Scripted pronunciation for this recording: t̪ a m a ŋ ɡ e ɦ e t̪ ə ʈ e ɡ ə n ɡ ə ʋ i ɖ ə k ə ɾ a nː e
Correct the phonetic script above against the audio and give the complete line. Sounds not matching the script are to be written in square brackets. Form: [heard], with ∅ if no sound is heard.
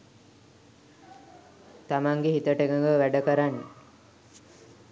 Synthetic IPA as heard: t̪ a m a ŋ ɡ e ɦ [i] t̪ ə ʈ e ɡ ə [ŋ] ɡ ə ʋ [æ] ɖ ə k ə ɾ a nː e